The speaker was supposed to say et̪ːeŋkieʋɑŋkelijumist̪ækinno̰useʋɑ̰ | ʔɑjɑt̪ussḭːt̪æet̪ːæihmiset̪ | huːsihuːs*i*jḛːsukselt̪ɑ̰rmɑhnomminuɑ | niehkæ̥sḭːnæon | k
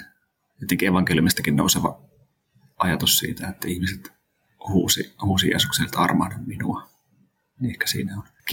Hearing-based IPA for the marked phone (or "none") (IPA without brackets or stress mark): i